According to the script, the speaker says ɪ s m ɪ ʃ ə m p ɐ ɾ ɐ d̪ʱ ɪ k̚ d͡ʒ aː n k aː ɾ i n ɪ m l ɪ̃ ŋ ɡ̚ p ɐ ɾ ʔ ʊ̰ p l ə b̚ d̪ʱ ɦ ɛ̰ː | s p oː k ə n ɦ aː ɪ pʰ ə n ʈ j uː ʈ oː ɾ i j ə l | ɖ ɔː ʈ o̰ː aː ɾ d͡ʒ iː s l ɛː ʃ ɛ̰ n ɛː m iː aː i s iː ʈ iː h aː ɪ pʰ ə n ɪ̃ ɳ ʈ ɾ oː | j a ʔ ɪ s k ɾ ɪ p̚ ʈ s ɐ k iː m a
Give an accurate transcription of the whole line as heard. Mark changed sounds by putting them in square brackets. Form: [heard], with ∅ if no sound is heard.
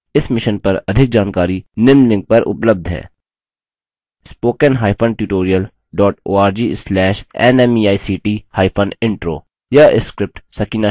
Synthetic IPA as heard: ɪ s m ɪ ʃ ə [n] p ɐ ɾ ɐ d̪ʱ ɪ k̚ d͡ʒ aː n k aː ɾ i n ɪ m l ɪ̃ ŋ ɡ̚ p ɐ ɾ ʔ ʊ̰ p l ə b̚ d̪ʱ ɦ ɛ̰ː | s p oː k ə n ɦ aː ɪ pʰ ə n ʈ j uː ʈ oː ɾ i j ə l | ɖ ɔː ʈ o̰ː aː ɾ d͡ʒ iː s l ɛː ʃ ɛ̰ n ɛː m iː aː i s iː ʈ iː h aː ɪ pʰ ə n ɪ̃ ɳ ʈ ɾ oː | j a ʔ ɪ s k ɾ ɪ p̚ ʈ s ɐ k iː [n] a